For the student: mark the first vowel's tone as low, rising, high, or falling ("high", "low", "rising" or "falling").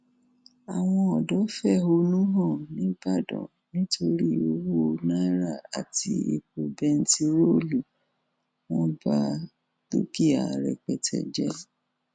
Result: low